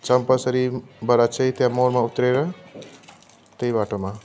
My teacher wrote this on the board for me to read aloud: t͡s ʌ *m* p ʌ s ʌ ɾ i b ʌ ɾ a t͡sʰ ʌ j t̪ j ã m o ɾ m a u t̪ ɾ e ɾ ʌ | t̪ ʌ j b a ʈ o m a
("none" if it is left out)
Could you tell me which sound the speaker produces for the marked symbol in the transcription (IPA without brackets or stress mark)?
m